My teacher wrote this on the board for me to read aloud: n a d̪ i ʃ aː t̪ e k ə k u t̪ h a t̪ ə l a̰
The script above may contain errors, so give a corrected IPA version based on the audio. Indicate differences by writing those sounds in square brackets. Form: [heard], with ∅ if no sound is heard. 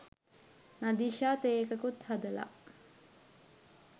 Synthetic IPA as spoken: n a d̪ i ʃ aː t̪ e k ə k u t̪ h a [d̪] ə l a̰